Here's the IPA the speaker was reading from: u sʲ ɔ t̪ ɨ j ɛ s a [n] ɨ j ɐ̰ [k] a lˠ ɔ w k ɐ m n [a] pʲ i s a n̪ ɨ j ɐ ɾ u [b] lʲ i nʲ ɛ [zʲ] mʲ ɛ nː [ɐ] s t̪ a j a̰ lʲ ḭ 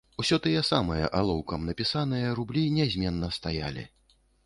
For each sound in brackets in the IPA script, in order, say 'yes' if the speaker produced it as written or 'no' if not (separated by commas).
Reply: no, no, no, yes, yes, yes